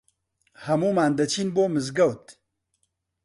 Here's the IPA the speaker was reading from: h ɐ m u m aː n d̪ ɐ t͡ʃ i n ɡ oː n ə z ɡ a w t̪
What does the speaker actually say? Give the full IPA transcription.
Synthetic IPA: h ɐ m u m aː n d̪ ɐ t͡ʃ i n b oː m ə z ɡ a w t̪